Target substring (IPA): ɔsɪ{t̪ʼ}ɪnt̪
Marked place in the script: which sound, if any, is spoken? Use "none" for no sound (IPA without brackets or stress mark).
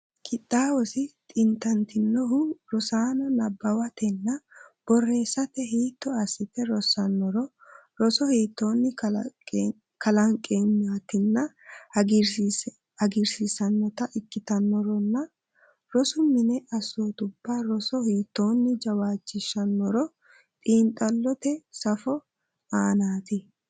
t̪ʼ